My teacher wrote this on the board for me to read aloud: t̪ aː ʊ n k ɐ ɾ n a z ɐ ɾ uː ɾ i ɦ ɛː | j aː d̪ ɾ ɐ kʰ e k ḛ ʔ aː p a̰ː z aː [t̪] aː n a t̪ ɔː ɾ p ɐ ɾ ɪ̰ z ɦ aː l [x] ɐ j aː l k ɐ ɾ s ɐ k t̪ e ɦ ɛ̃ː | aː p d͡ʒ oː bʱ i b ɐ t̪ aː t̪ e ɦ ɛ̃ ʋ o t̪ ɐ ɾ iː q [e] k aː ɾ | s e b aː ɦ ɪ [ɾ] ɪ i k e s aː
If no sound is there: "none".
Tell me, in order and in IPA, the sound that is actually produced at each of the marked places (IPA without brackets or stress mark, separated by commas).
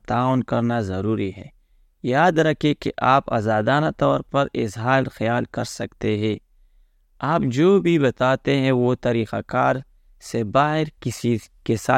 d̪, x, a, ɾ